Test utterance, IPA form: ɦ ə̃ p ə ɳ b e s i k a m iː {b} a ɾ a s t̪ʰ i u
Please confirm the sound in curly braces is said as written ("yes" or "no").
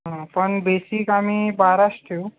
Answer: yes